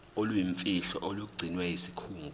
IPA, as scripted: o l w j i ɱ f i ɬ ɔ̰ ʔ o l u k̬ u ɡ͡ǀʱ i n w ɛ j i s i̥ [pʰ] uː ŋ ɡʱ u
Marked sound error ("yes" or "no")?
yes